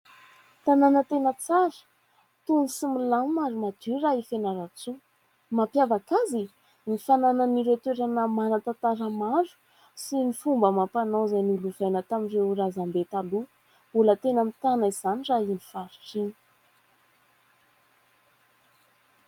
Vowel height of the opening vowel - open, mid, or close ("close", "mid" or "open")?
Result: open